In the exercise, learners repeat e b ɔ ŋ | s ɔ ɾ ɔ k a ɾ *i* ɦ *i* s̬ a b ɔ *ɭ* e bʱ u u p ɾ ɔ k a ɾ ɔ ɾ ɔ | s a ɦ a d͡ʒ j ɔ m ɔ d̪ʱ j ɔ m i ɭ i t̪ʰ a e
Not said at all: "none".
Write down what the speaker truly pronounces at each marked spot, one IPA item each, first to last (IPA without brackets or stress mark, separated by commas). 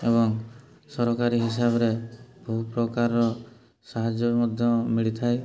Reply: i, i, ɾ